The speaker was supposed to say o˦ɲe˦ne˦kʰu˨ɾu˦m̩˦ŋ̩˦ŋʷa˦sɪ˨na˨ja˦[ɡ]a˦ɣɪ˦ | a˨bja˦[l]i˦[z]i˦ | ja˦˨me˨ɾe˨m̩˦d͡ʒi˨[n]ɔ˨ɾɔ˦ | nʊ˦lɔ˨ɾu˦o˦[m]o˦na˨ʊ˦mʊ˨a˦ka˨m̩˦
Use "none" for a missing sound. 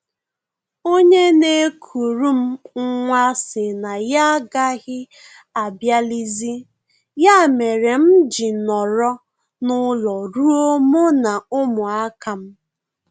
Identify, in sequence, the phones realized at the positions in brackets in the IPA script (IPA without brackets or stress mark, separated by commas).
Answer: ɡ, l, z, n, m